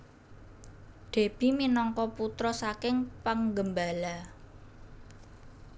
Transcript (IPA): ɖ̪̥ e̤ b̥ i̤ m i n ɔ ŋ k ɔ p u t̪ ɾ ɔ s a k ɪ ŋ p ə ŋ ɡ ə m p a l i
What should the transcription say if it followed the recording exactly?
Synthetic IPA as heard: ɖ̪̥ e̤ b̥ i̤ m i n ɔ ŋ k ɔ p u t̪ ɾ ɔ s a k ɪ ŋ p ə ŋ ɡ ə m b a l a